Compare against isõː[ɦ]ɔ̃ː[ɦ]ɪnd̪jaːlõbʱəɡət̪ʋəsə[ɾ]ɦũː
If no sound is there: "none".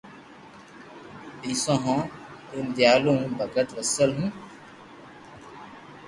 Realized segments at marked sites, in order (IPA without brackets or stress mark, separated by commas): ɦ, none, l